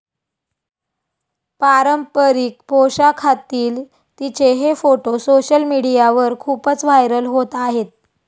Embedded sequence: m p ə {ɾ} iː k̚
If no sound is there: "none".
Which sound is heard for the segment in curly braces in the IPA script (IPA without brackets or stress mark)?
ɾ